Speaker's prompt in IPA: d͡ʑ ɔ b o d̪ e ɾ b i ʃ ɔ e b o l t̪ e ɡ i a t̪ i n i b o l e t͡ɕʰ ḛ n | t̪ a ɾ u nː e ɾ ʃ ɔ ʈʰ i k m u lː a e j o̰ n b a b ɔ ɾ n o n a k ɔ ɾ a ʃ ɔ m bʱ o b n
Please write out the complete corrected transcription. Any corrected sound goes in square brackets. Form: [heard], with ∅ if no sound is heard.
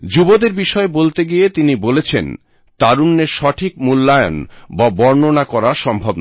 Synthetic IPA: d͡ʑ [u] b o d̪ e ɾ b i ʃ ɔ e b o l t̪ e ɡ i [e] t̪ i n i b o l e t͡ɕʰ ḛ n | t̪ a ɾ u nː e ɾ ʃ ɔ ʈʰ i k m u lː a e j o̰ n b a b ɔ ɾ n o n a k ɔ ɾ a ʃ ɔ m bʱ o b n

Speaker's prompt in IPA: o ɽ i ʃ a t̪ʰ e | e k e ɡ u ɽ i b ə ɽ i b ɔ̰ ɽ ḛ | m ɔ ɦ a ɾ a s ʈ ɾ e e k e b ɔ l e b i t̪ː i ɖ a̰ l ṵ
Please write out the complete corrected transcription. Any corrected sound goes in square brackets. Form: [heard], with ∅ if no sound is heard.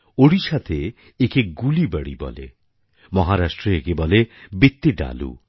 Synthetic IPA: o ɽ i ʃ a t̪ʰ e | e k e ɡ u [l] i b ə ɽ i b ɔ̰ [l] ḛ | m ɔ ɦ a ɾ a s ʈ ɾ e e k e b ɔ l e b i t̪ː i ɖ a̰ l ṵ

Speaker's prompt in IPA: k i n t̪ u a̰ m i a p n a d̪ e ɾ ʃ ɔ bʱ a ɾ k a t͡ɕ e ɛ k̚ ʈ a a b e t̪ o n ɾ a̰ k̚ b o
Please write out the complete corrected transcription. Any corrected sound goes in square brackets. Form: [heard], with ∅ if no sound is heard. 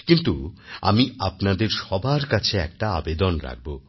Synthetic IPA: k i n t̪ u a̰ m i a p n a d̪ e ɾ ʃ ɔ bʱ a ɾ k a [t͡ɕʰ] e ɛ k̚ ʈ a a b e [d̪] o n ɾ a̰ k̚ b o

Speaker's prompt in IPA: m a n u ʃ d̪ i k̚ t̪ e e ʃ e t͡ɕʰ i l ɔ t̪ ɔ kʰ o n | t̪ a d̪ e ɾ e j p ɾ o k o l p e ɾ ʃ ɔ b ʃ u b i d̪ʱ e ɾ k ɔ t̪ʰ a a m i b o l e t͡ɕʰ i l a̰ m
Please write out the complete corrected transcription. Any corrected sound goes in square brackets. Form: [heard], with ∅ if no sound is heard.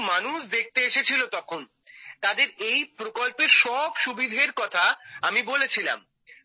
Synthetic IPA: m a n u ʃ d̪ [e] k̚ t̪ e e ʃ e t͡ɕʰ i l [o] t̪ ɔ kʰ o n | t̪ a d̪ e ɾ e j p ɾ o k o l p e ɾ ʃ ɔ b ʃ u b i d̪ʱ e ɾ k ɔ t̪ʰ a a m i b o l e t͡ɕʰ i l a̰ m

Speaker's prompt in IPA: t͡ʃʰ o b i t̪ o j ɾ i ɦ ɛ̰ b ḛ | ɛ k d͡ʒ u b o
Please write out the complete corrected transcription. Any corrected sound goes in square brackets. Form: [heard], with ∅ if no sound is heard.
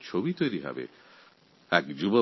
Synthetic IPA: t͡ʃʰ o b i t̪ o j ɾ i ɦ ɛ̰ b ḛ | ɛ k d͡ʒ u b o

